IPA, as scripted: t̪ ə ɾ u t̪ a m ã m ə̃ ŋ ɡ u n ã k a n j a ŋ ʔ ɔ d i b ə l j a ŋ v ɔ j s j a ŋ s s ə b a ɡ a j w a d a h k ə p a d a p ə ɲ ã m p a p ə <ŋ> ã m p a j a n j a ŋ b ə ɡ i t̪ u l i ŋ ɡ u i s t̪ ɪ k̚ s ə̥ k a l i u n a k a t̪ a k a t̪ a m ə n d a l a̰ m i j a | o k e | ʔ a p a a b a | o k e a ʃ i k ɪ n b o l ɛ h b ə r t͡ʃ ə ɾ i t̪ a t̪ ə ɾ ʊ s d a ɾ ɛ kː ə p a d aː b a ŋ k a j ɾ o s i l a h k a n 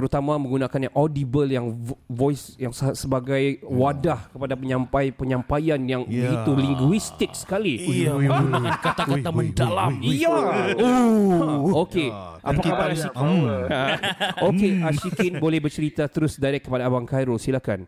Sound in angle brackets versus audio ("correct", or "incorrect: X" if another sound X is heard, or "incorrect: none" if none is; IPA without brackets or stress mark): incorrect: ɲ